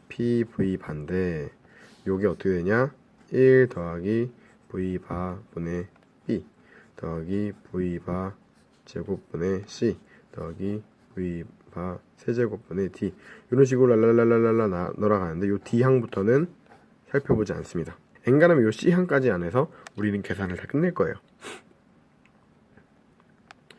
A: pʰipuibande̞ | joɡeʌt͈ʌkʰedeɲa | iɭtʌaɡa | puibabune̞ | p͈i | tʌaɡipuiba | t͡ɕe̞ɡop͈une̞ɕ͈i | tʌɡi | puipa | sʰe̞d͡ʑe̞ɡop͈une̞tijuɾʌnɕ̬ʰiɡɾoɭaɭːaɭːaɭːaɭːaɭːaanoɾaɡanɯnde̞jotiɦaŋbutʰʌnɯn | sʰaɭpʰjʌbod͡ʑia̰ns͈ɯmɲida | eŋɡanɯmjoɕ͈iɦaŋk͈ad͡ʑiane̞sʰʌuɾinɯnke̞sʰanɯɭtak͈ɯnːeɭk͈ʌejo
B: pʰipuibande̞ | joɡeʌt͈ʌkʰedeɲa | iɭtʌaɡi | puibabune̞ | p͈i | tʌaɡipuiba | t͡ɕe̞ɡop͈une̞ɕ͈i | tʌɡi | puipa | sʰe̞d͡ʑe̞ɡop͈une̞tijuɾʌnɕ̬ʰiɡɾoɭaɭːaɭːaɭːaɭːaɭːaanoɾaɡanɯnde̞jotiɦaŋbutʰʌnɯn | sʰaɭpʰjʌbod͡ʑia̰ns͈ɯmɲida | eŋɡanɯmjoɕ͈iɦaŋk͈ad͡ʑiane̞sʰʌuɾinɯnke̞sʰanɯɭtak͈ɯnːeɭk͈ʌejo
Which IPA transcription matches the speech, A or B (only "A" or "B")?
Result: B